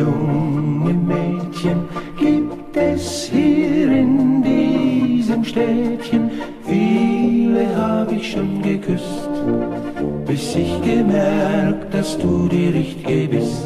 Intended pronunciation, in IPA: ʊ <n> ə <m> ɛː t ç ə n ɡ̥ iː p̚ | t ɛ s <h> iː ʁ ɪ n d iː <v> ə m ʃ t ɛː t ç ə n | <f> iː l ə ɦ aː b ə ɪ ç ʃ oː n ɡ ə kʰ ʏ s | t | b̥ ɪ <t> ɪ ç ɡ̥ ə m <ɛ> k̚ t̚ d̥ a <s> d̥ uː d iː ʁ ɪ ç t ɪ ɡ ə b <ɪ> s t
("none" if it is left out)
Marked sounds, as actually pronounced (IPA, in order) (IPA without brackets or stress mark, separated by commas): ŋ, m, h, z, f, s, ɛ, s, ɪ